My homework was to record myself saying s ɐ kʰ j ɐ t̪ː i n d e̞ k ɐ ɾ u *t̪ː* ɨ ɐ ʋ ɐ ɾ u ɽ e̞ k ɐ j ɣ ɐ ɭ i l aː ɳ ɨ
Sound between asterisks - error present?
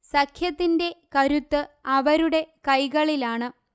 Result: no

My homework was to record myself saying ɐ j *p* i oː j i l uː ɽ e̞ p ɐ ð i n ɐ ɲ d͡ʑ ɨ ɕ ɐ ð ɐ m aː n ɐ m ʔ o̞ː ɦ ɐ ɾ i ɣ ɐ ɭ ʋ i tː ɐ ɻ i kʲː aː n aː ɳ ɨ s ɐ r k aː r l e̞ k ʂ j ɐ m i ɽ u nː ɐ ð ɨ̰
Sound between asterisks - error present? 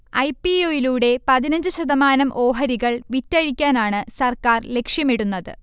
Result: no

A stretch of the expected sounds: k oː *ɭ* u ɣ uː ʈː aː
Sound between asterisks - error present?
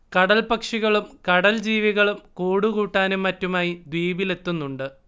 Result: yes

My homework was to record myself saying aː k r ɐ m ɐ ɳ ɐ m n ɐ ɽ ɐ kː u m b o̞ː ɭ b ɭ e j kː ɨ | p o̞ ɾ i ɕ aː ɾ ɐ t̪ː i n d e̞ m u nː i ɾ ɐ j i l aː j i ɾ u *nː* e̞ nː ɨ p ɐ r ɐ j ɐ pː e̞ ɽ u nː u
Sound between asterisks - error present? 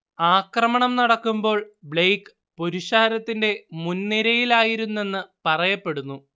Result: no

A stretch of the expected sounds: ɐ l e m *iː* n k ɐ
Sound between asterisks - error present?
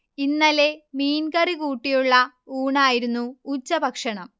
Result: no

